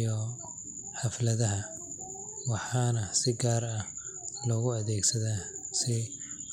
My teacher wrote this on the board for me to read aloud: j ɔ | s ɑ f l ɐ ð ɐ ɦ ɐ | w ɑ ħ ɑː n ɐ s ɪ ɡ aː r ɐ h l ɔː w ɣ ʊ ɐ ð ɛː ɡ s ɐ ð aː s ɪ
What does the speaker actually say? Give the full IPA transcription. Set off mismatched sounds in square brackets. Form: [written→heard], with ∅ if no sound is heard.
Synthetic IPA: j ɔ | [s→ħ] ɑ f l ɐ ð ɐ ɦ ɐ | w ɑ ħ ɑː n ɐ s ɪ ɡ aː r ɐ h l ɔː [w→∅] ɣ ʊ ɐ ð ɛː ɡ s ɐ ð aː s ɪ